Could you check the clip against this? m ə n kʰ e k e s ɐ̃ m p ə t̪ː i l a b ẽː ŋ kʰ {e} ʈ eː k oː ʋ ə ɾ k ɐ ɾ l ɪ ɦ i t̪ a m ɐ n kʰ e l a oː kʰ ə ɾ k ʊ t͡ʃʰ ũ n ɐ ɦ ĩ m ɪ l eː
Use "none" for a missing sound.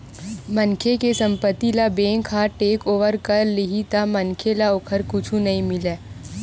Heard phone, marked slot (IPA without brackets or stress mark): a